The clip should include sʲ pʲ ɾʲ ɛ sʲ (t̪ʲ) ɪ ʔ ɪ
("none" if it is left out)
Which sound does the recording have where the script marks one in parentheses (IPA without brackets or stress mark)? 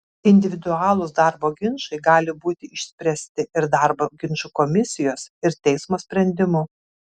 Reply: t̪ʲ